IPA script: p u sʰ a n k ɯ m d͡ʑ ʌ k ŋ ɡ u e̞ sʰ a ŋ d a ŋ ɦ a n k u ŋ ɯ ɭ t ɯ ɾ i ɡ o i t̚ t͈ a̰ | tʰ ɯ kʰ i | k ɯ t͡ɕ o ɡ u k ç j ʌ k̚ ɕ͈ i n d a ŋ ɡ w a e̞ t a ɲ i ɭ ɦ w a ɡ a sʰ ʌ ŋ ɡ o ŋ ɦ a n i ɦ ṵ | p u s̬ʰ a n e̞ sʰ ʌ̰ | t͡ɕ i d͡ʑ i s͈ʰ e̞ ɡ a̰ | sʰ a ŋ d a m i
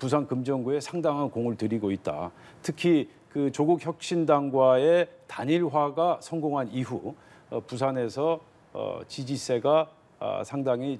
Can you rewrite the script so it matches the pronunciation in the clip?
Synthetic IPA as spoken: p u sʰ a n k ɯ m d͡ʑ ʌ ŋ ɡ u e̞ sʰ a ŋ d a ŋ ɦ a n k o ŋ ɯ ɭ t ɯ ɾ i ɡ o i t̚ t͈ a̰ | tʰ ɯ kʰ i | k ɯ t͡ɕ o ɡ u k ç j ʌ k̚ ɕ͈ i n d a ŋ ɡ w a e̞ t a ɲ i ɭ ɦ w a ɡ a sʰ ʌ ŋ ɡ o ŋ ɦ a n i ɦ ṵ | p u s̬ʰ a n e̞ sʰ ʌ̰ | t͡ɕ i d͡ʑ i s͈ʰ e̞ ɡ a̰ | sʰ a ŋ d a ŋ i

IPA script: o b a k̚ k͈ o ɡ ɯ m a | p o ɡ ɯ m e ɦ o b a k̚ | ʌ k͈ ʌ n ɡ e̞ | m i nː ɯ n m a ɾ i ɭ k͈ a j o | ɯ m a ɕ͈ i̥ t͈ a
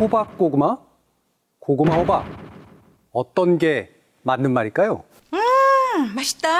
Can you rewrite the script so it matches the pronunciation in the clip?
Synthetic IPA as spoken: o b a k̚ k͈ o ɡ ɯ m a | k o ɡ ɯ m a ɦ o b a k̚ | ʌ t͈ ʌ n ɡ e̞ | m a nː ɯ n m a ɾ i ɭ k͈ a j o | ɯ m a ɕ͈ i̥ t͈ a

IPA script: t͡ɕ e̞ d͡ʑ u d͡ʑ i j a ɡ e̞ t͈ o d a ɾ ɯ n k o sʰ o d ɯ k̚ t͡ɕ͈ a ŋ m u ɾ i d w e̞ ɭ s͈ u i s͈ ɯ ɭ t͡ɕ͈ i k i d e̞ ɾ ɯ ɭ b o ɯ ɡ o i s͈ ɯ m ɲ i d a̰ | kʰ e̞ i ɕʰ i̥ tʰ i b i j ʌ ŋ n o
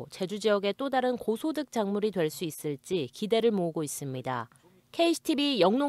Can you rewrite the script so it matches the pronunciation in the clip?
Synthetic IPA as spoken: t͡ɕ e̞ d͡ʑ u d͡ʑ i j ʌ ɡ e̞ t͈ o d a ɾ ɯ n k o sʰ o d ɯ k̚ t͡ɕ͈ a ŋ m u ɾ i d w e̞ ɭ s͈ u i s͈ ɯ ɭ t͡ɕ͈ i k i d e̞ ɾ ɯ ɭ m o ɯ ɡ o i s͈ ɯ m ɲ i d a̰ | kʰ e̞ i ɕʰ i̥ tʰ i b i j ʌ ŋ n o

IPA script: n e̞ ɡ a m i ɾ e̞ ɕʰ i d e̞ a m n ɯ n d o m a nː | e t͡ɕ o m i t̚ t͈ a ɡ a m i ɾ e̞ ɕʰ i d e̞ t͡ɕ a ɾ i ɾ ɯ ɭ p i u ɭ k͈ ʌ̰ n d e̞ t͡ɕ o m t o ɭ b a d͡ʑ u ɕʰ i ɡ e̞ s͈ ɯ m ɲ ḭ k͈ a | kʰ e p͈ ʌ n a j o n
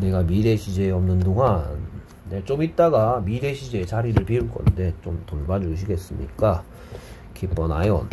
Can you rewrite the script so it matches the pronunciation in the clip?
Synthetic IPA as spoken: n e̞ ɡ a m i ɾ e̞ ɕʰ i d͡ʑ e̞ ʌ m n ɯ n d o ŋ a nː | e t͡ɕ o m i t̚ t͈ a ɡ a m i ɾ e̞ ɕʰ i d͡ʑ e̞ t͡ɕ a ɾ i ɾ ɯ ɭ p i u ɭ k͈ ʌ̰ n d e̞ t͡ɕ o m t o ɭ b a d͡ʑ u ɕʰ i ɡ e̞ s͈ ɯ m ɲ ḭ k͈ a | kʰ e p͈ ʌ n a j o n

